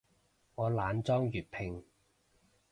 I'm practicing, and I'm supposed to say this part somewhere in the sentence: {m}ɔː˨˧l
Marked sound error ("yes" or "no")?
yes